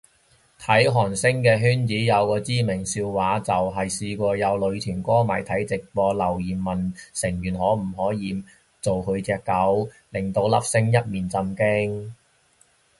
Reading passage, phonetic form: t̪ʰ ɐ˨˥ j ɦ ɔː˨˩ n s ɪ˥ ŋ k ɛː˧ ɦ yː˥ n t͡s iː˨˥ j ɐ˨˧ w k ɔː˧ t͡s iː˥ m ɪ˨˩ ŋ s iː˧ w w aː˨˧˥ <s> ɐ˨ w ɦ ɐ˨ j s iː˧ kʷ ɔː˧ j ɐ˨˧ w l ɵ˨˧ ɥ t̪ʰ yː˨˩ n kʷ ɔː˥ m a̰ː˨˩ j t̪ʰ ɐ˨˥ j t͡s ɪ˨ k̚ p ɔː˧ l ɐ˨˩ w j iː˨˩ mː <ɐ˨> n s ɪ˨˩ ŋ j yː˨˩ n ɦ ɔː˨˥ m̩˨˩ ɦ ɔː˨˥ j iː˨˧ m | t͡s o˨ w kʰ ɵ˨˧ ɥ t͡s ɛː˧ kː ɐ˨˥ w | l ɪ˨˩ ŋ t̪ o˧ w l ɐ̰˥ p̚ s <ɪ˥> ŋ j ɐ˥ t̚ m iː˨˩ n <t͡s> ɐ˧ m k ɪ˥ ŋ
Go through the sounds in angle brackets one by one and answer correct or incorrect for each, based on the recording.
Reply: incorrect, correct, correct, correct

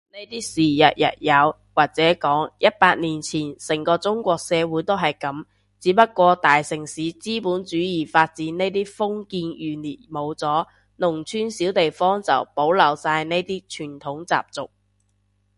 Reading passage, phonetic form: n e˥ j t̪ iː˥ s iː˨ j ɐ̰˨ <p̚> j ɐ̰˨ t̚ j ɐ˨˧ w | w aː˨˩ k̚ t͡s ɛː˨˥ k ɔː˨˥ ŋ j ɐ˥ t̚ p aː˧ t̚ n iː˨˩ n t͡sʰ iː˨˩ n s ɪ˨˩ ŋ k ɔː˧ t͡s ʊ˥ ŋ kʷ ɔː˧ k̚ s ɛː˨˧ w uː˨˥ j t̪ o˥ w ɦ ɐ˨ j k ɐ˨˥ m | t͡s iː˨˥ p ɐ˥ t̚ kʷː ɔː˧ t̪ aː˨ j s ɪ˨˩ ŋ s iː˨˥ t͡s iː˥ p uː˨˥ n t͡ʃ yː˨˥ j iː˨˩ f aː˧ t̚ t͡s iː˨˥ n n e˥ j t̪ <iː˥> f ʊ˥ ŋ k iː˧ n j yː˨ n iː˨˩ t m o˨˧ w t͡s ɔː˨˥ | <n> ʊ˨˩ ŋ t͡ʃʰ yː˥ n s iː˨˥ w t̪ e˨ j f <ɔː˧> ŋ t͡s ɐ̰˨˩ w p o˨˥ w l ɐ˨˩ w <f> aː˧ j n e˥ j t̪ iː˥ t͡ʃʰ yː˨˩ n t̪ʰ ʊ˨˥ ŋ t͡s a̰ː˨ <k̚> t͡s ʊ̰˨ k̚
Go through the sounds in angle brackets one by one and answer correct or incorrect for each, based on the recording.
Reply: incorrect, correct, correct, incorrect, incorrect, incorrect

